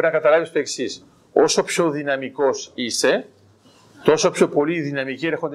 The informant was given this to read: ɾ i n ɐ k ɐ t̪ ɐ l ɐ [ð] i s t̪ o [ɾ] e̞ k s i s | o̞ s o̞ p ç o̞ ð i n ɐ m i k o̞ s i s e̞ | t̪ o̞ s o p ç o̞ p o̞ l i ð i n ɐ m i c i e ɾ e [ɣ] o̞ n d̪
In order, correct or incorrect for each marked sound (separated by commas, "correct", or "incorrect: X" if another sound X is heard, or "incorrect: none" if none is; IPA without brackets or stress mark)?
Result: incorrect: v, incorrect: none, incorrect: x